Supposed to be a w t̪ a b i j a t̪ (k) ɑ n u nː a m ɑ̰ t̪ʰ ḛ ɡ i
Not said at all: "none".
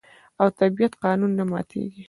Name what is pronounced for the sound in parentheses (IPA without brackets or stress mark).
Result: q